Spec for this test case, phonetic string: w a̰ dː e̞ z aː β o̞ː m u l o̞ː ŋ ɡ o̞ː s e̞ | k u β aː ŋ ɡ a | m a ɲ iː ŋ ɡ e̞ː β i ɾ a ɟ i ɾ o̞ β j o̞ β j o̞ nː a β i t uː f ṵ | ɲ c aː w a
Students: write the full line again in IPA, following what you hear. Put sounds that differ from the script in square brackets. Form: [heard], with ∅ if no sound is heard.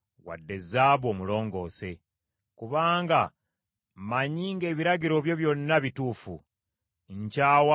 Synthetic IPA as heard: w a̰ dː e̞ z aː β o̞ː m u l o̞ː ŋ ɡ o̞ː s e̞ | k u β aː ŋ ɡ a | m a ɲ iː ŋ ɡ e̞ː β i ɾ a ɟ i ɾ o̞ β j o̞ β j o̞ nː a β i t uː f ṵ | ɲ c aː w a